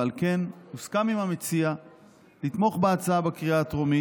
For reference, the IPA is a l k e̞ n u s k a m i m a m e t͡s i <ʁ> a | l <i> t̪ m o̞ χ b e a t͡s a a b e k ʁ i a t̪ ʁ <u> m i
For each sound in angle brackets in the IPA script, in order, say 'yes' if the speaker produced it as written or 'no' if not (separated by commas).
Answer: no, yes, no